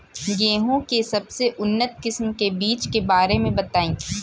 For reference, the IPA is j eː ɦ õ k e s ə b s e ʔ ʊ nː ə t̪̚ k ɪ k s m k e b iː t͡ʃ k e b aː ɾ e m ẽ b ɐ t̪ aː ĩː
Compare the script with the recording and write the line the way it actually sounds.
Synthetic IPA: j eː ɦ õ k e s ɐ b s e ʔ ʊ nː ə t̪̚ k ɪ s m k e b iː t͡ʃ k e b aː ɾ e m ẽ b ɐ t̪ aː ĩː